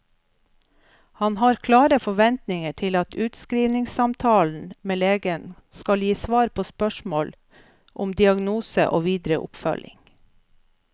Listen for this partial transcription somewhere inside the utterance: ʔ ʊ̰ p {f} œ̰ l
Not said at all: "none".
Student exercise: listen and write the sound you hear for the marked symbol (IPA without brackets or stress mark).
f